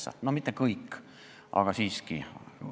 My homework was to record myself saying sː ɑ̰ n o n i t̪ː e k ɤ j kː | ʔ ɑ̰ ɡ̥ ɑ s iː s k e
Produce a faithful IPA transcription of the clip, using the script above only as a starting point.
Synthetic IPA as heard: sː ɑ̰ n o m i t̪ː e k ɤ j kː | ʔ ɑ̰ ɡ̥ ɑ s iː s k i